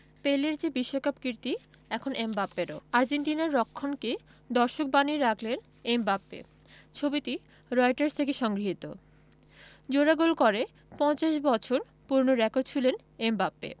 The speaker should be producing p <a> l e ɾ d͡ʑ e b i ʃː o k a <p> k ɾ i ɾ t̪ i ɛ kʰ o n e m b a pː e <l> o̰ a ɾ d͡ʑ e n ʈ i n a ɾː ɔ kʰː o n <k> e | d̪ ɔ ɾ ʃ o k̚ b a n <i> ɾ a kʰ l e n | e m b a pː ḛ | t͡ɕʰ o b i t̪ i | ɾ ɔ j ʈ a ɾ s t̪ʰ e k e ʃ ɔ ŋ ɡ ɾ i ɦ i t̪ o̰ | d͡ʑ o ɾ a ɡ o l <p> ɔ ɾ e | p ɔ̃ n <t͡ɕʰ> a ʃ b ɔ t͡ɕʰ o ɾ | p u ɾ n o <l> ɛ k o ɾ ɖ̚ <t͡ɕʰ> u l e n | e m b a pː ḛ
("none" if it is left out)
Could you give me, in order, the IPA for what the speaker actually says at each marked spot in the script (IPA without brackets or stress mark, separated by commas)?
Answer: e, p, ɾ, k, i, k, t͡ɕ, ɾ, t͡ɕʰ